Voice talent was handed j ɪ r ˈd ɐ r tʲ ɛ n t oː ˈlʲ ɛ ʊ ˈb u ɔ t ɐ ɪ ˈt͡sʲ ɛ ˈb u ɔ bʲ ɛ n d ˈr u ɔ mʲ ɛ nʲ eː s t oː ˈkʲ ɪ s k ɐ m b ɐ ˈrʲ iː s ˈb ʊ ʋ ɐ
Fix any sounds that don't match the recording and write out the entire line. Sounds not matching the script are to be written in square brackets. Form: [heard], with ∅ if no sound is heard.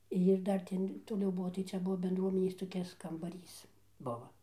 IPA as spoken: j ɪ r ˈd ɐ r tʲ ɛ n t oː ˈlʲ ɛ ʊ ˈb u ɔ t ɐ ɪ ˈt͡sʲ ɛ ˈb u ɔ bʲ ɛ n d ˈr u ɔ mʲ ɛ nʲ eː s t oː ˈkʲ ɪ s k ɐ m b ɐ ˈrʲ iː s ˈb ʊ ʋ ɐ